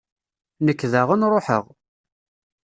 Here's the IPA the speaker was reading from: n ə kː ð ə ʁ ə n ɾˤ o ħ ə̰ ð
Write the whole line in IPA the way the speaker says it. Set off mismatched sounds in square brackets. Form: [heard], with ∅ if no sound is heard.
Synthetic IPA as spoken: n ə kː ð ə ʁ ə n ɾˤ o ħ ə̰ [ʁ]